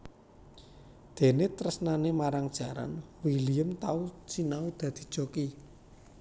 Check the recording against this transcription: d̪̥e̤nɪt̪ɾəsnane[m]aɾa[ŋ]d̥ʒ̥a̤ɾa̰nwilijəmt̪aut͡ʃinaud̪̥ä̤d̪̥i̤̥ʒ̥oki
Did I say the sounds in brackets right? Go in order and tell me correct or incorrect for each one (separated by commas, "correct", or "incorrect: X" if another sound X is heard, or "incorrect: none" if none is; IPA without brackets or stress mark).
correct, correct